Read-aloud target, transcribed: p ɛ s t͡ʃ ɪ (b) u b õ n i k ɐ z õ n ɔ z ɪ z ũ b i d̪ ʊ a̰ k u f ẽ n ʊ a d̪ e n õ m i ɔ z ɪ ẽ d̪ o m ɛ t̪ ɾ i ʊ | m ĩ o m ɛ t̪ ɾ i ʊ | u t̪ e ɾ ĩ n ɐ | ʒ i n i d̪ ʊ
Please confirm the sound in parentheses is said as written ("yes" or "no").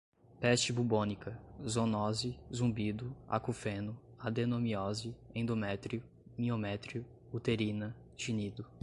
yes